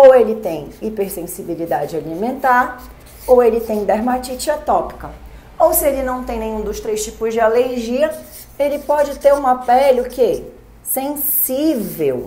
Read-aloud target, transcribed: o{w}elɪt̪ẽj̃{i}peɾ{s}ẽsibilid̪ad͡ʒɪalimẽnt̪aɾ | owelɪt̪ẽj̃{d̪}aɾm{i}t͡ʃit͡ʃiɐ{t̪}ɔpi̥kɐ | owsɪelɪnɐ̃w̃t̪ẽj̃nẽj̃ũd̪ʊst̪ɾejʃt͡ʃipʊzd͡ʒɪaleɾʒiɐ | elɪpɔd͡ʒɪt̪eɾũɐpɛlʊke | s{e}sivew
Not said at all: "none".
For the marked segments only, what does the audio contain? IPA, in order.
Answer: w, i, s, d̪, a, t̪, ẽ

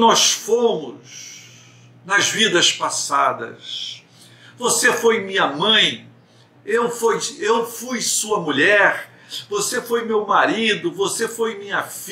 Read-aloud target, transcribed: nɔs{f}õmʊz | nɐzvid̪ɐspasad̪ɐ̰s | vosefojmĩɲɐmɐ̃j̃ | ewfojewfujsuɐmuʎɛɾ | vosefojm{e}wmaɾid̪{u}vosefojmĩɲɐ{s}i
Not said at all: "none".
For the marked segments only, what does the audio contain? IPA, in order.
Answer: f, e, ʊ, f

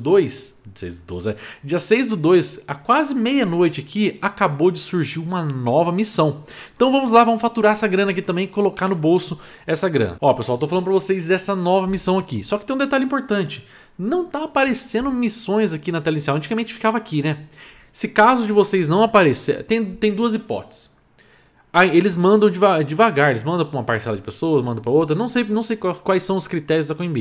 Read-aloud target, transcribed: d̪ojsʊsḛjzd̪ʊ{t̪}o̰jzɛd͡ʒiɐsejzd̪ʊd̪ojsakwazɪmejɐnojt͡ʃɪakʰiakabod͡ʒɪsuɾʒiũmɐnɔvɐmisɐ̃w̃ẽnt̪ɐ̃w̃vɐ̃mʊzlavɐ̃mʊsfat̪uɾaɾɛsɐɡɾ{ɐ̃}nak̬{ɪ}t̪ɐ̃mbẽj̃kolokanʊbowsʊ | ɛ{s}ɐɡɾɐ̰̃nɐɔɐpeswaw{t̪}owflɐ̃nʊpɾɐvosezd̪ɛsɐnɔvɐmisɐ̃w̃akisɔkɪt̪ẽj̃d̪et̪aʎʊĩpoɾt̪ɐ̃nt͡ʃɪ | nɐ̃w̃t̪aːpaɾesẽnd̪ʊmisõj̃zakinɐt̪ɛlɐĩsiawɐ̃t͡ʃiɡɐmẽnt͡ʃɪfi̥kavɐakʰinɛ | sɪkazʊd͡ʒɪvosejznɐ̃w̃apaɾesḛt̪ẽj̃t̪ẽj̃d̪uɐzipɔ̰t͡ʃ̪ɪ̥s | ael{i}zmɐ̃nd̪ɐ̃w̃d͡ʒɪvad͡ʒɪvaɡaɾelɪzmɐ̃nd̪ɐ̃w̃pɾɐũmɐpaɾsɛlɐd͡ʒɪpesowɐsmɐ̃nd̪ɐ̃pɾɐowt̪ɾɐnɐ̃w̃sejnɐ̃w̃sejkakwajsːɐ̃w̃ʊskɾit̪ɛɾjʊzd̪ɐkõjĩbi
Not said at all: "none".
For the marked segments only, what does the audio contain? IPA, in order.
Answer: d̪, ɐ̃, i, s, t̪, ɪ

